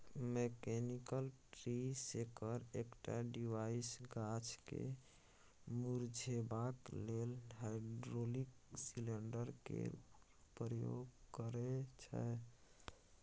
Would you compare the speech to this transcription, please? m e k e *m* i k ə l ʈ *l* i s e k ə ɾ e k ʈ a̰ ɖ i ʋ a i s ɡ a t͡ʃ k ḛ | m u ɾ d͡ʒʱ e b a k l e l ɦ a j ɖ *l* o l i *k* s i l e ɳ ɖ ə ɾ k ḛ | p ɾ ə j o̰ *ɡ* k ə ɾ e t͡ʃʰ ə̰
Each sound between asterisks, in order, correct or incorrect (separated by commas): incorrect, incorrect, incorrect, correct, correct